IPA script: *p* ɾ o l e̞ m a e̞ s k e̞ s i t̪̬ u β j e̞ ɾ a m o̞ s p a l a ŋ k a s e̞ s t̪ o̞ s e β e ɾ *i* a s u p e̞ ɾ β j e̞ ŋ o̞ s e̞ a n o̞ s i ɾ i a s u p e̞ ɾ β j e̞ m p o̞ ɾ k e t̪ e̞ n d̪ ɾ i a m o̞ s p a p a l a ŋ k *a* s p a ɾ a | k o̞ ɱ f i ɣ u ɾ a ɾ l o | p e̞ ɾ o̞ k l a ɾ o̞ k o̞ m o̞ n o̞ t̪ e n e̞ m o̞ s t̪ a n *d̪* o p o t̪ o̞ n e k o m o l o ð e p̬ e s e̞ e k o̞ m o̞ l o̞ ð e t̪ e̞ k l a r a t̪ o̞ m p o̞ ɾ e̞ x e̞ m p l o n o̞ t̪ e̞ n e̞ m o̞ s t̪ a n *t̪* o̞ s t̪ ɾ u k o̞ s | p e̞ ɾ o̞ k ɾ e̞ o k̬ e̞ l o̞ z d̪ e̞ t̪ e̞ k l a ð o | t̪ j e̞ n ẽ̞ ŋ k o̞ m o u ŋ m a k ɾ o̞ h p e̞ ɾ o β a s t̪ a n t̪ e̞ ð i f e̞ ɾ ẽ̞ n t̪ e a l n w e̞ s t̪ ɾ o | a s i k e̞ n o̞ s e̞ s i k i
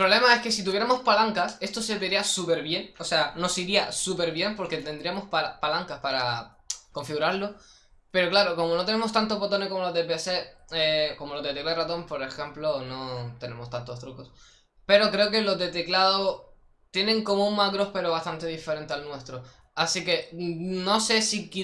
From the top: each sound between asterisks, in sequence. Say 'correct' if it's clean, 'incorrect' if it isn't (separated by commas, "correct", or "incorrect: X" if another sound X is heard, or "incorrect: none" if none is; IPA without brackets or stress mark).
correct, correct, correct, incorrect: t̪, correct